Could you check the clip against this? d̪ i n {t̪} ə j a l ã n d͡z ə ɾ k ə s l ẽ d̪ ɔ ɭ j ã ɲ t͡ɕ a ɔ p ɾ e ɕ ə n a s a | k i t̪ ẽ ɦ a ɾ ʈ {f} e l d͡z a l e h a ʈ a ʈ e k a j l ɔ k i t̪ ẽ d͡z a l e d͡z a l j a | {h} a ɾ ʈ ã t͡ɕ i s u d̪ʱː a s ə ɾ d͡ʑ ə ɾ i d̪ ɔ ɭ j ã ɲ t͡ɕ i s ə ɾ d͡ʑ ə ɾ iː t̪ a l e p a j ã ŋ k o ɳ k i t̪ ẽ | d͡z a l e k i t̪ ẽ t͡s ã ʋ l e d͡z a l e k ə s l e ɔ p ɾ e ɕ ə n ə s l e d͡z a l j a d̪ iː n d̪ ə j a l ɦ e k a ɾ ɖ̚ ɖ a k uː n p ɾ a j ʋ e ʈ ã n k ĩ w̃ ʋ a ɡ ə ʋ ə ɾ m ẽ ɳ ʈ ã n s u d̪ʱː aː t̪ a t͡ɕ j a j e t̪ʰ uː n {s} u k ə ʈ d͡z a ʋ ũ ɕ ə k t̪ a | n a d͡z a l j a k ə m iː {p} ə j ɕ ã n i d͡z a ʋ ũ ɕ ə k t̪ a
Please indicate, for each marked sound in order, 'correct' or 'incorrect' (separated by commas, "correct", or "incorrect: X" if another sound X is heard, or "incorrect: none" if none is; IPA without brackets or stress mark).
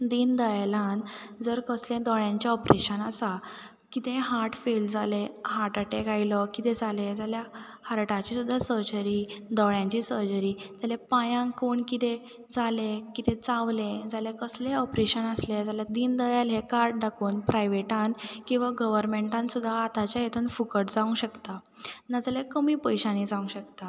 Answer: incorrect: d̪, correct, correct, incorrect: f, correct